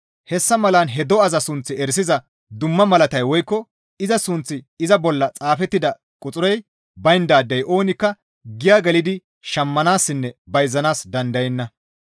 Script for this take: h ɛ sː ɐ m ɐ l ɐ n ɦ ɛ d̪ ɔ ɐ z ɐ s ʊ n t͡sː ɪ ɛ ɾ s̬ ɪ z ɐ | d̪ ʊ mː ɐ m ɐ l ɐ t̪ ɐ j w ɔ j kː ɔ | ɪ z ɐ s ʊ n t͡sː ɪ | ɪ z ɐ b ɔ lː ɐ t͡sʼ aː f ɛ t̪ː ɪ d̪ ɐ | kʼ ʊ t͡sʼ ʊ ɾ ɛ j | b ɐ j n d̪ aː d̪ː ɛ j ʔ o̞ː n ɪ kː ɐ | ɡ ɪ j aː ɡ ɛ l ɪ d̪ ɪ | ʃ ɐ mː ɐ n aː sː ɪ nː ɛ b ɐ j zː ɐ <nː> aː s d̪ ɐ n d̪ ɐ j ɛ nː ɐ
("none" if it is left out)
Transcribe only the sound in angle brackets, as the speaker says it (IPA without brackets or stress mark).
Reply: n